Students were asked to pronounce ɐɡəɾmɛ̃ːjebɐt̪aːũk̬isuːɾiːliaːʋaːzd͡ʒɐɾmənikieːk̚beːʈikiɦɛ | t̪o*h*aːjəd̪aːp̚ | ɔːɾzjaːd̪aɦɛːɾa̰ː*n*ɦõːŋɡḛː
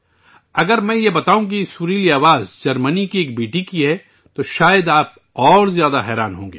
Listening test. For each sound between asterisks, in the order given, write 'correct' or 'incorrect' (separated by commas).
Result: incorrect, correct